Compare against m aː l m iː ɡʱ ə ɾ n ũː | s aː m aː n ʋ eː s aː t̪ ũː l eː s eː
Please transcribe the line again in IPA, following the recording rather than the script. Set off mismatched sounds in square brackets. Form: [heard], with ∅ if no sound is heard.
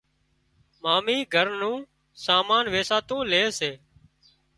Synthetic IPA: m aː [∅] m iː ɡʱ ə ɾ n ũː | s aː m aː n ʋ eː s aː t̪ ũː l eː s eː